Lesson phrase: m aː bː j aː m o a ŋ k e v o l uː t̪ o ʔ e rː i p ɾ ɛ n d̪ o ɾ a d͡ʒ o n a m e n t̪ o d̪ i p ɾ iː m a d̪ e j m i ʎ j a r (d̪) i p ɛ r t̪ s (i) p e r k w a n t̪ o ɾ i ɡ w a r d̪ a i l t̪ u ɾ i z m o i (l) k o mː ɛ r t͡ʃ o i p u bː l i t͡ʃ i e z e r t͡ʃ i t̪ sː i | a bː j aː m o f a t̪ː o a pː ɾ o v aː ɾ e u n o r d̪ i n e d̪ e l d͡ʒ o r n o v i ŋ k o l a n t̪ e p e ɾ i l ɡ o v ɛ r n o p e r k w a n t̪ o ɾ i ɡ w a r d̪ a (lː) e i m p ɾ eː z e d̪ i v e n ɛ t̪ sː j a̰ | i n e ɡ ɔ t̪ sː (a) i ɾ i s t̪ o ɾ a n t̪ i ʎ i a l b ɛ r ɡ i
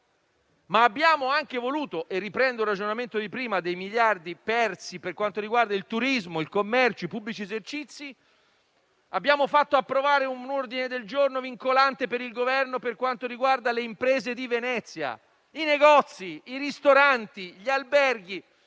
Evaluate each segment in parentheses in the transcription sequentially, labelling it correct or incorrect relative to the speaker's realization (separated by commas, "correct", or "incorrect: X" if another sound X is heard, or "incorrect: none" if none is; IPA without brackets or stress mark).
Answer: correct, correct, correct, incorrect: l, incorrect: i